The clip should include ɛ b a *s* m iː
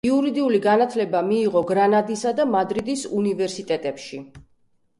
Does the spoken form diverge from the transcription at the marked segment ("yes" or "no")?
yes